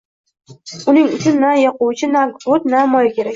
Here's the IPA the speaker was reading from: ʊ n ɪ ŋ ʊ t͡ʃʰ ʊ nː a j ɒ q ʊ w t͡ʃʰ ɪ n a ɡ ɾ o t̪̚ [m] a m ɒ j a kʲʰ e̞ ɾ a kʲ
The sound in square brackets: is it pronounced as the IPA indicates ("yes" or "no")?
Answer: no